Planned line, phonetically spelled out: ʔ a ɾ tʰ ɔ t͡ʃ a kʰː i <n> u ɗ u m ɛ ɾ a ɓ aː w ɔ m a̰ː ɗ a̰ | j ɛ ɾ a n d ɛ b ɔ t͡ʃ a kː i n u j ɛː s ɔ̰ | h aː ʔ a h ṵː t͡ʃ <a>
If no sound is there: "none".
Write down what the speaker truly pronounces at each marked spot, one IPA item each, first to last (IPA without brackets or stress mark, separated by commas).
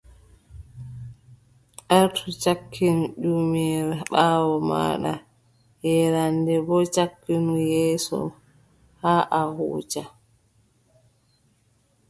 n, a